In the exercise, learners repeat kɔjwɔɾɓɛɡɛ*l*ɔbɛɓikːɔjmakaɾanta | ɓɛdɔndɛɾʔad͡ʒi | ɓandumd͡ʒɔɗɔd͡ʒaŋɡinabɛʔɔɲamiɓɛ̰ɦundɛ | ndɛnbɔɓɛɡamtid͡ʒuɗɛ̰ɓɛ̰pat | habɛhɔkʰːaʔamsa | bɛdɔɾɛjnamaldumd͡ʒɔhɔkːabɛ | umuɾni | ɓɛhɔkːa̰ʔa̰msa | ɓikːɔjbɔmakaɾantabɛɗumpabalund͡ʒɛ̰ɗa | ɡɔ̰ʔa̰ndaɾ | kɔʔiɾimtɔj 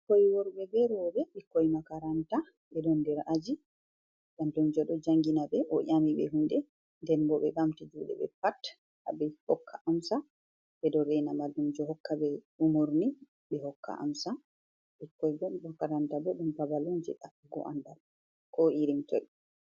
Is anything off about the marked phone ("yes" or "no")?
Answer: yes